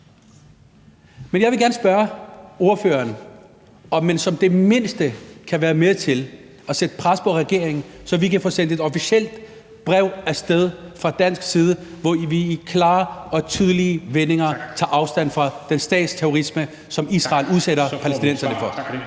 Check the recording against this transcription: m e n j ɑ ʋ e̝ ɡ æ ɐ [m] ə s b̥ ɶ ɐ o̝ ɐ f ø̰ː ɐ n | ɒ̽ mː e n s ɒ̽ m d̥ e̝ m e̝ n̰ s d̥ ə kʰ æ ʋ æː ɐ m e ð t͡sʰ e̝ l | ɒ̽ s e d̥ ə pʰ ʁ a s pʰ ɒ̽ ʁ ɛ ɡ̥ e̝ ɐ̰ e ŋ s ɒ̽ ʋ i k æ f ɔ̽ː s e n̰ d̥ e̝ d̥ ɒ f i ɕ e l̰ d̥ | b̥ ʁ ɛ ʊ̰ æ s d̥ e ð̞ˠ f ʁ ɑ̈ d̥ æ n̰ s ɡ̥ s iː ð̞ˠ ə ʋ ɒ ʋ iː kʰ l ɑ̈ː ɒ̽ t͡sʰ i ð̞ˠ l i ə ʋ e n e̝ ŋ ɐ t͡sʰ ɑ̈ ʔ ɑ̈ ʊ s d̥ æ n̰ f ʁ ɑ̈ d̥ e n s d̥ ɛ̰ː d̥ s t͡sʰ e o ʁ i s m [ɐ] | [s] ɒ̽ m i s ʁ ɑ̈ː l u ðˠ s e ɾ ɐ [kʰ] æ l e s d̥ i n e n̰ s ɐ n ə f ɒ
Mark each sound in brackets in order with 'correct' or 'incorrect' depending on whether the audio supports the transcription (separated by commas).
incorrect, incorrect, correct, incorrect